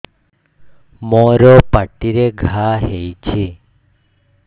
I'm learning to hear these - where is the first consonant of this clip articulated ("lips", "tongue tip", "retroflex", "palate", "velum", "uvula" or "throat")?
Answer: lips